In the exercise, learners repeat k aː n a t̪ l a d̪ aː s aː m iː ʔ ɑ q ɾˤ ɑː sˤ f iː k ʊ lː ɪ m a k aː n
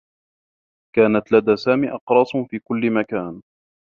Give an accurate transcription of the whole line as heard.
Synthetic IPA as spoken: k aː n a t̪ l a d̪ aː s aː m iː ʔ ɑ q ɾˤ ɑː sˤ f iː k ʊ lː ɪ m a k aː n